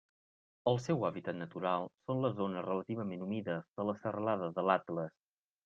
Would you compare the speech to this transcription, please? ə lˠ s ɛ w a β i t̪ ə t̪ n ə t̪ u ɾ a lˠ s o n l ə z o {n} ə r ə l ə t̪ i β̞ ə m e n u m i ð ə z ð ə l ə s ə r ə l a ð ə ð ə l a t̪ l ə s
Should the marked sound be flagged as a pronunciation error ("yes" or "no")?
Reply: no